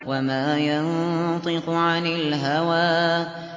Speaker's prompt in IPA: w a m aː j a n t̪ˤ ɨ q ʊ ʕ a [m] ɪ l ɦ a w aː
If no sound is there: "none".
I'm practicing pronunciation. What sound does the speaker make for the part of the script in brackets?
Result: n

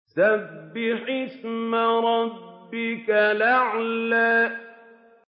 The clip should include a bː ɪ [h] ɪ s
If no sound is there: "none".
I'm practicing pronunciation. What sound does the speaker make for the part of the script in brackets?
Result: ħ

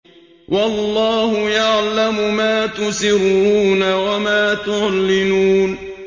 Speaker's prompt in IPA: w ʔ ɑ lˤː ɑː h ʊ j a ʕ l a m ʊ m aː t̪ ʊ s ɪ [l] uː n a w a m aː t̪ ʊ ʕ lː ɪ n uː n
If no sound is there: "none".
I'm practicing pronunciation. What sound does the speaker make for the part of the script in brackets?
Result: ɾ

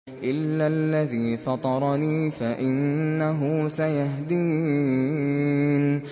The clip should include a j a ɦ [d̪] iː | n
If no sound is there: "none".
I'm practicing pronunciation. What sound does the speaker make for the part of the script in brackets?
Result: d̪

